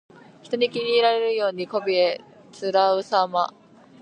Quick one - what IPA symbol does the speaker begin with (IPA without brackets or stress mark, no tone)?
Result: ç